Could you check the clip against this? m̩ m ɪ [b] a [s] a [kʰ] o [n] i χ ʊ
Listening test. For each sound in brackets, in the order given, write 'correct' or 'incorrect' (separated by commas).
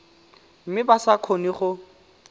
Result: correct, correct, correct, correct